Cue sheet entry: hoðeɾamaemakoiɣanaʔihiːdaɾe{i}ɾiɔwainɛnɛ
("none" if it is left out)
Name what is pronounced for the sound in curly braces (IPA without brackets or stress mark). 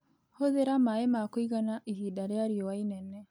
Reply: a